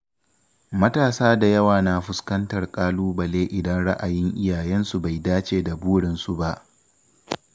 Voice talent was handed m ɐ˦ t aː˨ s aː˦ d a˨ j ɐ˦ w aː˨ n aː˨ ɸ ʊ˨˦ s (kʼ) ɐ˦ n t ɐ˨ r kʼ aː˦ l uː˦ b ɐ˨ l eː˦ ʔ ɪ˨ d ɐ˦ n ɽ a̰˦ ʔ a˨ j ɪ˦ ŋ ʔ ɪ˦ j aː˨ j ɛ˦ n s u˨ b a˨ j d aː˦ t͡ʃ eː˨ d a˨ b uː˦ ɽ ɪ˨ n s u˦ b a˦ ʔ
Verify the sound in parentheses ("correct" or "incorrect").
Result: incorrect